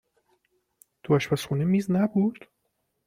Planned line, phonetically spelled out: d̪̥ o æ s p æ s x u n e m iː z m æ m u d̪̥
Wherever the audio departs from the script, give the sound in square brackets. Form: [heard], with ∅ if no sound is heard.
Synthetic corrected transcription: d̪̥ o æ [ʃ] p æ s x u n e m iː z [n] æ [b] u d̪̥